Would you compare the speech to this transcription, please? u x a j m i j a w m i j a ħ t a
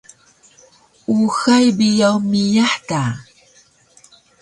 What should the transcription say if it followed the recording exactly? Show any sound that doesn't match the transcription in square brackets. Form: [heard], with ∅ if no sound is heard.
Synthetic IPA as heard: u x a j [b] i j a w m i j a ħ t a